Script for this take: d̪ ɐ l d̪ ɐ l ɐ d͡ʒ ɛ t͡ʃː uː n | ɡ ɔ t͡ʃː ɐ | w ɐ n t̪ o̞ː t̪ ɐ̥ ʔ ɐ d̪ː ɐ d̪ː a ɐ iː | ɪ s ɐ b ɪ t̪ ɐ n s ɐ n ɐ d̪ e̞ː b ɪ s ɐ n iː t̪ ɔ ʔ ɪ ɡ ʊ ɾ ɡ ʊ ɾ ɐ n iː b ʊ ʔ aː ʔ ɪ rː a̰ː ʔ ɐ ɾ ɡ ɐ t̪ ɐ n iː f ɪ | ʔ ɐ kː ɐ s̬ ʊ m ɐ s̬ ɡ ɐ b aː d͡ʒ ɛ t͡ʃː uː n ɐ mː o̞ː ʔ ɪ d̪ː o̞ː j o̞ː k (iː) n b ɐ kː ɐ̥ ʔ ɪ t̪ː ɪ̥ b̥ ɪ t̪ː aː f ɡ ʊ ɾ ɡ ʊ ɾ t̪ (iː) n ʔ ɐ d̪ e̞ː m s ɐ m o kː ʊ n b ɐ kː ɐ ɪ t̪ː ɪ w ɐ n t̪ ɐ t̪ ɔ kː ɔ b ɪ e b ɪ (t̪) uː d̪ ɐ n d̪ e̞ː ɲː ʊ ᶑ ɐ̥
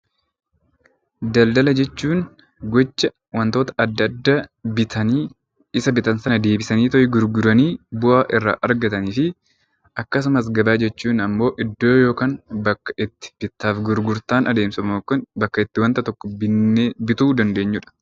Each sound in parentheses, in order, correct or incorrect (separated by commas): incorrect, incorrect, correct